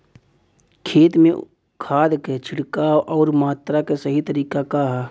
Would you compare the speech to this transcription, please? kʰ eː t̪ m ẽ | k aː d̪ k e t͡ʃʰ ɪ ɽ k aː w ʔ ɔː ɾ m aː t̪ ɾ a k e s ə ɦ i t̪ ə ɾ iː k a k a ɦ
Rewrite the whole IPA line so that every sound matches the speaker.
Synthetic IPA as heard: kʰ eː t̪ m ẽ | kʰ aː d̪ k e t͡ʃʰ ɪ ɽ k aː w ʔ ɔː ɾ m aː t̪ ɾ a k e s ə ɦ i t̪ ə ɾ iː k a k a ɦ